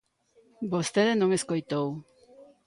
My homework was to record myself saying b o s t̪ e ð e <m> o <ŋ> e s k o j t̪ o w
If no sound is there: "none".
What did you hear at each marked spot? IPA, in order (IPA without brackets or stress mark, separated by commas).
n, ŋ